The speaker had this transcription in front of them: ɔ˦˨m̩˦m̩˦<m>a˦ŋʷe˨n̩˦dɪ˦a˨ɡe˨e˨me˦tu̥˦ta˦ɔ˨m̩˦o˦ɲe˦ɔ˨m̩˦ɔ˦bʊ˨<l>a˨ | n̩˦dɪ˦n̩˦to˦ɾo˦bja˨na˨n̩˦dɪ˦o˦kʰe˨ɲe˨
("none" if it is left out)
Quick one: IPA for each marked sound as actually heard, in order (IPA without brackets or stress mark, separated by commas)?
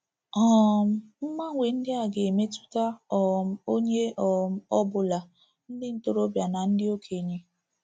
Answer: m, l